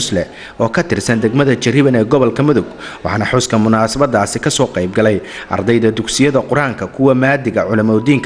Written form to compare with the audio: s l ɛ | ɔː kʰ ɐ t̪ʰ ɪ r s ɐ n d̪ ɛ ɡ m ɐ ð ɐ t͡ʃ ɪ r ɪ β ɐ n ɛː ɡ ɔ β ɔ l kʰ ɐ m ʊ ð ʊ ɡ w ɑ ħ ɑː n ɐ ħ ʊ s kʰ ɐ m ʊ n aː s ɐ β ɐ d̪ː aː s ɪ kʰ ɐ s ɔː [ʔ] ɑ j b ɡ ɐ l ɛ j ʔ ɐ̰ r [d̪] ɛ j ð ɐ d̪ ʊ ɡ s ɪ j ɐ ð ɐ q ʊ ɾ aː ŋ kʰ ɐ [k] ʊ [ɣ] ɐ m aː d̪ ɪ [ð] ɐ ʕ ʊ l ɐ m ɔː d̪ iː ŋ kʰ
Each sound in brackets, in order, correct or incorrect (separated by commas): incorrect, correct, incorrect, incorrect, incorrect